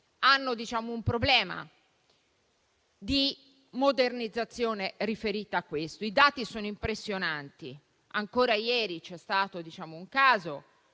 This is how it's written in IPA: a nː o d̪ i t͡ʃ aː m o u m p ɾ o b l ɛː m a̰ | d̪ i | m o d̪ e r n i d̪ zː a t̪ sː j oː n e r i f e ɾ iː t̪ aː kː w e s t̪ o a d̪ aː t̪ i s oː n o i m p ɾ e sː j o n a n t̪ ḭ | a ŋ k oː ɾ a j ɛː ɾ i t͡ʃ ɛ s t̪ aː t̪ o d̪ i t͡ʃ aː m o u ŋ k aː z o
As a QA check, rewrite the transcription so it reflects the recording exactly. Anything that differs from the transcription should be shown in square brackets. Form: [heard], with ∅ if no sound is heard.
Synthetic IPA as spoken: a nː o d̪ i t͡ʃ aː m o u m p ɾ o b l ɛː m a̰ | d̪ i | m o d̪ e r n i d̪ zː a t̪ sː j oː n e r i f e ɾ iː t̪ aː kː w e s t̪ o [i] d̪ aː t̪ i s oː n o i m p ɾ e sː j o n a n t̪ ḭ | a ŋ k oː ɾ a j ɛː ɾ i t͡ʃ ɛ s t̪ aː t̪ o d̪ i t͡ʃ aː m o u ŋ k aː z o

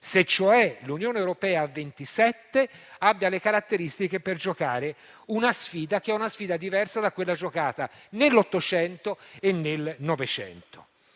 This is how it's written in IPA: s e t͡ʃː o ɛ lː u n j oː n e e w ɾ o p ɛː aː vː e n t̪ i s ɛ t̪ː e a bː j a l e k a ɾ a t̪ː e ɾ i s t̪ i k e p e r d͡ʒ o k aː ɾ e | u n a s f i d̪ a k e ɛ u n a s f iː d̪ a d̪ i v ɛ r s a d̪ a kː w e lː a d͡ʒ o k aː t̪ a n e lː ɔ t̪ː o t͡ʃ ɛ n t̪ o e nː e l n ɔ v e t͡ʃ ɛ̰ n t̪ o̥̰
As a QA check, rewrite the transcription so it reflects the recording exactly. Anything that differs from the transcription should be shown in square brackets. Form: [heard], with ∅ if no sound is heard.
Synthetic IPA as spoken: s e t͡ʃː o ɛ [l] u n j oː n e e w ɾ o p ɛː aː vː e n t̪ i s ɛ t̪ː e a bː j a l e k a ɾ a t̪ː e ɾ i s t̪ i k e p e r d͡ʒ o k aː ɾ e | u n a s f [iː] d̪ a k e ɛ u n a s f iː d̪ a d̪ i v ɛ r s a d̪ a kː w e lː a d͡ʒ o k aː t̪ a n e lː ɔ t̪ː o t͡ʃ ɛ n t̪ o e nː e l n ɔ v e t͡ʃ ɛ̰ n t̪ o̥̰

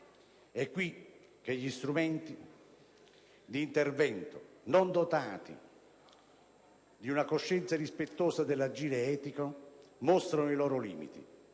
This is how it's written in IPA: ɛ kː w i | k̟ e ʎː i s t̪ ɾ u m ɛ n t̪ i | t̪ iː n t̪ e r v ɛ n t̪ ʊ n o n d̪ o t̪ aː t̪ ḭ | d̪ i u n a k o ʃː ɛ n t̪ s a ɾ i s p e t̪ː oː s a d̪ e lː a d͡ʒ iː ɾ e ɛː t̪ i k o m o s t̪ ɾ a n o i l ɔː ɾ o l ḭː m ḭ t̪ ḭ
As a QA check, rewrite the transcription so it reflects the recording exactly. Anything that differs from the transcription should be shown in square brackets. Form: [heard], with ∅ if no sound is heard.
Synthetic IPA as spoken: ɛ kː w i | k̟ e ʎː i s t̪ ɾ u m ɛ n t̪ i | [d̪] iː n t̪ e r v ɛ n t̪ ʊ n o n d̪ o t̪ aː t̪ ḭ | d̪ i u n a k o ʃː ɛ n t̪ s a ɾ i s p e t̪ː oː s a d̪ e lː a d͡ʒ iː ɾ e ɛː t̪ i k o m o s t̪ ɾ a n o i l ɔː ɾ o l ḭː m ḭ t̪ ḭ

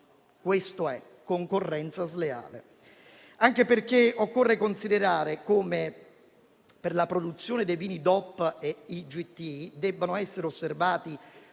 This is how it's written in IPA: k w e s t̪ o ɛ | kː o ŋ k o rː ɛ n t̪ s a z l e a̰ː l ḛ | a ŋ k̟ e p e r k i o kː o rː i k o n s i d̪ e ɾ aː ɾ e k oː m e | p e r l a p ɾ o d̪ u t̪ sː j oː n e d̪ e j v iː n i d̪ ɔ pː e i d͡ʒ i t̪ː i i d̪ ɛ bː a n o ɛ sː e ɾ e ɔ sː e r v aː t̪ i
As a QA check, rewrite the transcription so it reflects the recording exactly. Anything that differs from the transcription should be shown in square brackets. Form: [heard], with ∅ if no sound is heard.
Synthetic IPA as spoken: k w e s t̪ o ɛ | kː o ŋ k o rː ɛ n t̪ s a z l e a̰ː l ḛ | a ŋ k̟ e p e r k [e] o kː o rː [e] k o n s i d̪ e ɾ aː ɾ e k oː m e | p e r l a p ɾ o d̪ u t̪ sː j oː n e d̪ e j v iː n i d̪ ɔ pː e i d͡ʒ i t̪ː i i d̪ ɛ bː a n o ɛ sː e ɾ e [o] sː e r v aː t̪ i

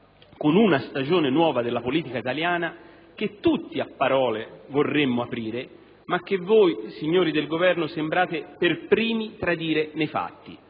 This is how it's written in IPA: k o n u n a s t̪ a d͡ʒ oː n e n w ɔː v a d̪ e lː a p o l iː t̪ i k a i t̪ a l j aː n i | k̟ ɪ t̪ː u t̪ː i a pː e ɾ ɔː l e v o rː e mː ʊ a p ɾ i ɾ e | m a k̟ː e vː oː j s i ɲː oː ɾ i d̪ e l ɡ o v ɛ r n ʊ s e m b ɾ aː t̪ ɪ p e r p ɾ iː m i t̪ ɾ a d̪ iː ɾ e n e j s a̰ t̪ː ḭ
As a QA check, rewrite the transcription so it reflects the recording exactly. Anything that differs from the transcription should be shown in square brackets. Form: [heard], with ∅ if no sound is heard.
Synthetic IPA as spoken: k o n u n a s t̪ a d͡ʒ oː n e n w ɔː v a d̪ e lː a p o l iː t̪ i k a i t̪ a l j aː n [a] | k̟ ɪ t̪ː u t̪ː i a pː [a] ɾ ɔː l e v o rː e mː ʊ a p ɾ [iː] ɾ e | m a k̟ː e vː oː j s i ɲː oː ɾ i d̪ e l ɡ o v ɛ r n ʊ s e m b ɾ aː t̪ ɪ p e r p ɾ iː m i t̪ ɾ a d̪ iː ɾ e n e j [f] a̰ t̪ː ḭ

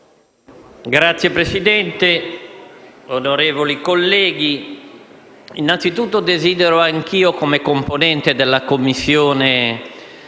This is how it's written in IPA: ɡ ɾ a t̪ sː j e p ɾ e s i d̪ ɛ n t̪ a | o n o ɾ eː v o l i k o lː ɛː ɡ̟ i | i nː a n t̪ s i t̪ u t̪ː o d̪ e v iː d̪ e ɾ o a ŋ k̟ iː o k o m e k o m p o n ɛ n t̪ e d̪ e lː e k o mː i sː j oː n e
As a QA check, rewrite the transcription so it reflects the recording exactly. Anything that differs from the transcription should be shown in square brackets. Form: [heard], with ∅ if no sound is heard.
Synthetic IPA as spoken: ɡ ɾ a t̪ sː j e p ɾ e s i d̪ ɛ n t̪ [e] | o n o ɾ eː v o l i k o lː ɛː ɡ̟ i | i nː a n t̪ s i t̪ u t̪ː o d̪ e [z] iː d̪ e ɾ o a ŋ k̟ iː o k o m e k o m p o n ɛ n t̪ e d̪ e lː [a] k o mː i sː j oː n e

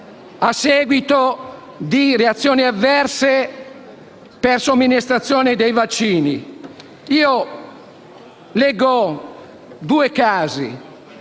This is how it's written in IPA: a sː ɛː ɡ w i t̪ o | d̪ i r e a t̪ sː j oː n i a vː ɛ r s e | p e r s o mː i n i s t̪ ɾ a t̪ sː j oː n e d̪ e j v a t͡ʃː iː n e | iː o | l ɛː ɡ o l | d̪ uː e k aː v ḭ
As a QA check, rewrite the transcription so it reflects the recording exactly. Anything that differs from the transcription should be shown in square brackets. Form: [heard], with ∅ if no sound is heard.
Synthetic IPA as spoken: a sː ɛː ɡ w i t̪ o | d̪ i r e a t̪ sː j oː n i a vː ɛ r s e | p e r s o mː i n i s t̪ ɾ a t̪ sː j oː n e d̪ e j v a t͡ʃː iː n [i] | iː o | l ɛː ɡ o [∅] | d̪ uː e k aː [z] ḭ

